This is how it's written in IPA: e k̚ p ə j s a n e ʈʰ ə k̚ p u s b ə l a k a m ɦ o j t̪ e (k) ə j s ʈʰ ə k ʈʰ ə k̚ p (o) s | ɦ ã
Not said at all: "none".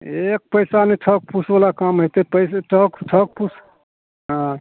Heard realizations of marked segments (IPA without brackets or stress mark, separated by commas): p, u